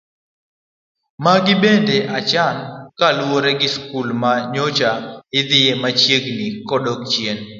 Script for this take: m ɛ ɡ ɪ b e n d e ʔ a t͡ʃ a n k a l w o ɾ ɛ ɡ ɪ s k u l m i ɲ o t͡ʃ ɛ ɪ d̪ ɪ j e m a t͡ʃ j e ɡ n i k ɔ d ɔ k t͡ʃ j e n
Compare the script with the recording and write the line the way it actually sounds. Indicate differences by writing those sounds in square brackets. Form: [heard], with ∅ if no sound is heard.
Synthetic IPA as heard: m [a] ɡ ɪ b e n d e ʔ a t͡ʃ a n k a l w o ɾ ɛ ɡ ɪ s k u l m [a] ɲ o t͡ʃ [a] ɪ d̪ ɪ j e m a t͡ʃ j e ɡ n i k ɔ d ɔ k t͡ʃ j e n